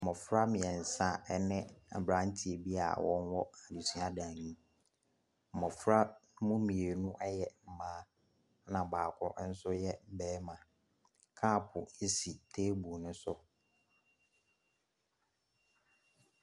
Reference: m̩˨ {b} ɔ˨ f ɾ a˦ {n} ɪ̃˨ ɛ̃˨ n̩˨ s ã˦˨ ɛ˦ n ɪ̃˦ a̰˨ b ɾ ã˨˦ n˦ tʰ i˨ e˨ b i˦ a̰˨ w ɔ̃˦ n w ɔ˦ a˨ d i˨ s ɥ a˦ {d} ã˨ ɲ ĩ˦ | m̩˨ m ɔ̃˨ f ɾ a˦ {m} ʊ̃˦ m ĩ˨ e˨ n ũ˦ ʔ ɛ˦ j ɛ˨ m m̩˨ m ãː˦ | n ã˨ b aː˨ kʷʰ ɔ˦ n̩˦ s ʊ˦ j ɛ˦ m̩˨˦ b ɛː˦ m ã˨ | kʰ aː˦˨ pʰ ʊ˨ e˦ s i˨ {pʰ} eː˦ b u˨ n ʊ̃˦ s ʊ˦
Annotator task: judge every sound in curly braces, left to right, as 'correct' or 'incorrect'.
incorrect: m, incorrect: m, correct, correct, incorrect: tʰ

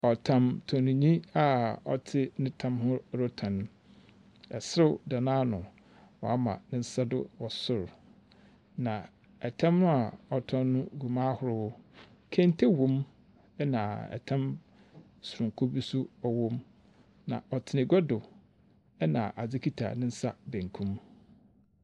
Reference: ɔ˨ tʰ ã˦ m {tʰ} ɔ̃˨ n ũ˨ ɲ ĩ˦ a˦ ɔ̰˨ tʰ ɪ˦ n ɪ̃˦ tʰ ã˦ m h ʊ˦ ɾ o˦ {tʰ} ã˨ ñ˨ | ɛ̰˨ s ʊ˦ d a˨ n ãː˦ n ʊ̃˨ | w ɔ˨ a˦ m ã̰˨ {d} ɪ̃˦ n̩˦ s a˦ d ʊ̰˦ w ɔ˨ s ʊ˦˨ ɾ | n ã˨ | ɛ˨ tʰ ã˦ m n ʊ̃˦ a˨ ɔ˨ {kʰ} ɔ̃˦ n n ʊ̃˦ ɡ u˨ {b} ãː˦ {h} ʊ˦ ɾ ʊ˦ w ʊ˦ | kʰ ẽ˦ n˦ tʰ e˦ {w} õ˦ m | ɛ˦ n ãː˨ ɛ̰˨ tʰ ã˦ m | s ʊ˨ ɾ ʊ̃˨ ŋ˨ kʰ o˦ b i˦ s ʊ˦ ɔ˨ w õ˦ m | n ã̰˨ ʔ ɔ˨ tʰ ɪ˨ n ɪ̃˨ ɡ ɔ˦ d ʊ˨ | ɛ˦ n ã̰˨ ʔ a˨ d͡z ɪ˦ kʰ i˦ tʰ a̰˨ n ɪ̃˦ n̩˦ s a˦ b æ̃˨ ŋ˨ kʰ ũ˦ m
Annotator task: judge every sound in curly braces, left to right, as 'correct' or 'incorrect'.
correct, correct, incorrect: n, incorrect: tʰ, incorrect: m, correct, correct

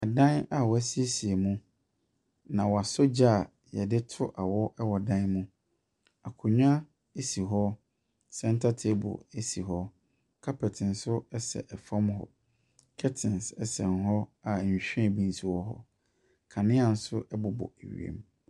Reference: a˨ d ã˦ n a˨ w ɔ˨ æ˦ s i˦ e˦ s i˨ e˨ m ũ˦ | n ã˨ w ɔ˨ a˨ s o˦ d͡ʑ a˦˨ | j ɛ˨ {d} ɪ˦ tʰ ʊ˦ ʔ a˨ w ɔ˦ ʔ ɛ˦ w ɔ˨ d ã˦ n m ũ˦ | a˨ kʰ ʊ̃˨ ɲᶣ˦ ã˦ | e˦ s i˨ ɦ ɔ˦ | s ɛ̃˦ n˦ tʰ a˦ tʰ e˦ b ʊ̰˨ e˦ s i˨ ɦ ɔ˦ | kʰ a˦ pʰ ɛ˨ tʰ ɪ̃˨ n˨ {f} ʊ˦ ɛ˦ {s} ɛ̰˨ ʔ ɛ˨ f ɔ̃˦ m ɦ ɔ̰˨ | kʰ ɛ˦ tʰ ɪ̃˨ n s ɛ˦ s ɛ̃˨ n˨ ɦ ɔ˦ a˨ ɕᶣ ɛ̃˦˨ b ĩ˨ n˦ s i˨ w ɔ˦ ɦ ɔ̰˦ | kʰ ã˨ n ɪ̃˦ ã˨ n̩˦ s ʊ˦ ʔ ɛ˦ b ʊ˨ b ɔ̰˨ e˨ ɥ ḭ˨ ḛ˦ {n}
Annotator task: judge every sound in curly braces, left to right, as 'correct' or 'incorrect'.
correct, incorrect: s, correct, incorrect: m

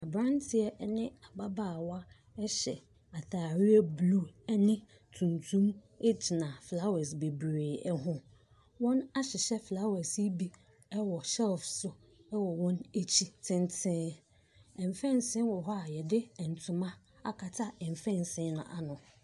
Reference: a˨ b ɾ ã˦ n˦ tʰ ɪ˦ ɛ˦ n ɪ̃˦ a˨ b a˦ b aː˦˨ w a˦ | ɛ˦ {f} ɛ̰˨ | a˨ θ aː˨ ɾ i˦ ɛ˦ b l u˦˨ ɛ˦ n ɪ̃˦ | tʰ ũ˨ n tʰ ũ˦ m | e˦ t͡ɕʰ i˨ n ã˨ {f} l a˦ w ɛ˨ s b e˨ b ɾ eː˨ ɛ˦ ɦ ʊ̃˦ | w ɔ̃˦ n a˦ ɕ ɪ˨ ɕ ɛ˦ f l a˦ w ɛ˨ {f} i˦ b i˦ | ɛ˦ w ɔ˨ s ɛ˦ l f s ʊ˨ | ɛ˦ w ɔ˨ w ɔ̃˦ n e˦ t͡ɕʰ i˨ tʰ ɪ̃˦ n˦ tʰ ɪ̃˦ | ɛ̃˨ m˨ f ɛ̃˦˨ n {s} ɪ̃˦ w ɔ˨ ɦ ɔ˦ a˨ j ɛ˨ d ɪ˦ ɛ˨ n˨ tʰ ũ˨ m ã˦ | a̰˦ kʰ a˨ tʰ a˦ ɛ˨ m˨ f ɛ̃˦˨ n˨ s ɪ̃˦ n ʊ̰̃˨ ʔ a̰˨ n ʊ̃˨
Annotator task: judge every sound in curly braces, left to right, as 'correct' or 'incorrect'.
incorrect: ɕ, correct, incorrect: s, correct

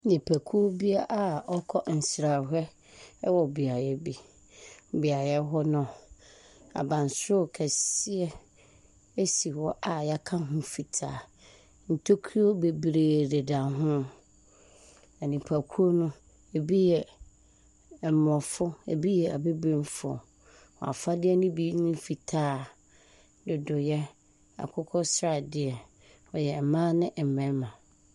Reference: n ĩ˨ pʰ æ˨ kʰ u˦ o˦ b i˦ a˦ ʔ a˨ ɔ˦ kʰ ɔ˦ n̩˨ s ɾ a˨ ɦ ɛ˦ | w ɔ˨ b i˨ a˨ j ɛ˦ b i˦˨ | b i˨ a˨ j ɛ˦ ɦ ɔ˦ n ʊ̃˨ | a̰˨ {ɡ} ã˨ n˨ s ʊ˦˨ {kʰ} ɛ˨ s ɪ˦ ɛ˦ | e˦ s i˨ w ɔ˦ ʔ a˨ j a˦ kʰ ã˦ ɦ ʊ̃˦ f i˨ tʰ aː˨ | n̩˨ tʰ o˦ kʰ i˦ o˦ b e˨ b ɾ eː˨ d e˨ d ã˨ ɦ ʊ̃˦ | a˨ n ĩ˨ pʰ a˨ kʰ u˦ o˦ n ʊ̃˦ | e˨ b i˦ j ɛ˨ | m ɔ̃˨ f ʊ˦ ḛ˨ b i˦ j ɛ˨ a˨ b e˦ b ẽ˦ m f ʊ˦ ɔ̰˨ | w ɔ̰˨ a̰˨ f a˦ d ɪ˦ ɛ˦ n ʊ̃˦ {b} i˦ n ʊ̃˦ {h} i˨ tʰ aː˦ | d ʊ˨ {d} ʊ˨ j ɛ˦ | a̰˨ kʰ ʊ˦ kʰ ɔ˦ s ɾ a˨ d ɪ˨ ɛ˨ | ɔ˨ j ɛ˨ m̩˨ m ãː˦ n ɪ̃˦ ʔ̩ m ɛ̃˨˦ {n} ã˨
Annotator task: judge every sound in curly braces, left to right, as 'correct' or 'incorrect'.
incorrect: b, correct, correct, incorrect: f, correct, incorrect: m

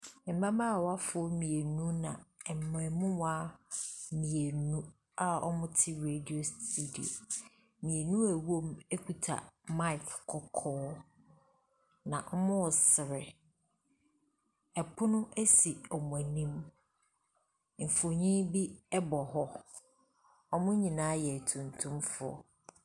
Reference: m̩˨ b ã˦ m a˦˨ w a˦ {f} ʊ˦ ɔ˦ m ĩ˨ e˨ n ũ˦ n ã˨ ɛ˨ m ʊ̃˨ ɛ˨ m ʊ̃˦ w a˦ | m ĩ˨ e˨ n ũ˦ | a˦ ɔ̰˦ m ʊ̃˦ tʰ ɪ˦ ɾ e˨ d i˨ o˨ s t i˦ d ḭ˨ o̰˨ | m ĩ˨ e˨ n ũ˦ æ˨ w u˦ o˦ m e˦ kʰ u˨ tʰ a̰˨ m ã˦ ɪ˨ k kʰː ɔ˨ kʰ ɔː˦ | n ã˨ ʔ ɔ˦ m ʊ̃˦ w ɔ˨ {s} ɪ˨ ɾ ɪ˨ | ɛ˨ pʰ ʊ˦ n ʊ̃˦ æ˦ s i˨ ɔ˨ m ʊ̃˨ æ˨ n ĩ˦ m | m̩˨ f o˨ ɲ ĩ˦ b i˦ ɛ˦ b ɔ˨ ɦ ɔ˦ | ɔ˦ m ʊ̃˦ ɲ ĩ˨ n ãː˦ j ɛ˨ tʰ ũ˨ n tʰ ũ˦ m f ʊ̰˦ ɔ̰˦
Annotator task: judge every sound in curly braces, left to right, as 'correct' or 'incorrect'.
correct, correct

